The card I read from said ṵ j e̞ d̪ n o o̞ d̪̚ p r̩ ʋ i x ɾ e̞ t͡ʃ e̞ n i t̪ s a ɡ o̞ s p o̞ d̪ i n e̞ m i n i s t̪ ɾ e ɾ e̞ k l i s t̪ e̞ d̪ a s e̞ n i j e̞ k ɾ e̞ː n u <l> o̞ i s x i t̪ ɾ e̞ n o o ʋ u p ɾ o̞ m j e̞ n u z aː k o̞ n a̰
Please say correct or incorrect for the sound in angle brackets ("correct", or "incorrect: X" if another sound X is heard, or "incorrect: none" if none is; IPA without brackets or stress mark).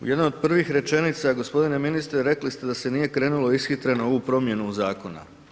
correct